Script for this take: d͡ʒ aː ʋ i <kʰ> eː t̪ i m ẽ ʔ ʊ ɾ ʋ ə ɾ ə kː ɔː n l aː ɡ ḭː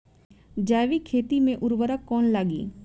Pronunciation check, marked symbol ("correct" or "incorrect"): correct